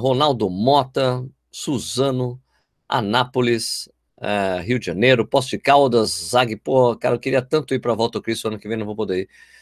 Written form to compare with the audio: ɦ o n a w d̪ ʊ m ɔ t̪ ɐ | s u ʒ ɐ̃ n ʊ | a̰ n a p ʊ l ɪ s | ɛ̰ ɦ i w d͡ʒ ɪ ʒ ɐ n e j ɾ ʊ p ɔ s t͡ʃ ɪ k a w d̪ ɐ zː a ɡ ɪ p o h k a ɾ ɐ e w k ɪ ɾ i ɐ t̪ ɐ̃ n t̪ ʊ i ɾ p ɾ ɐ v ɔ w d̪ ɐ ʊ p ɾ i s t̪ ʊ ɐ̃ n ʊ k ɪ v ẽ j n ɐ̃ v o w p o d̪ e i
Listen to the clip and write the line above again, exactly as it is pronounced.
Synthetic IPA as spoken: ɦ o n a w d̪ ʊ m ɔ t̪ ɐ | s u z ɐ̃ n ʊ | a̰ n a p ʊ l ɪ s | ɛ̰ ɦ i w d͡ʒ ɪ ʒ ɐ n e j ɾ ʊ p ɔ s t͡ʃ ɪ k a w d̪ ɐ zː a ɡ ɪ p o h k a ɾ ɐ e w k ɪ ɾ i ɐ t̪ ɐ̃ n t̪ ʊ i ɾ p ɾ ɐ v ɔ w t̪ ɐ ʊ k ɾ i s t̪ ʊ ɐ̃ n ʊ k ɪ v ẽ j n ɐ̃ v o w p o d̪ e i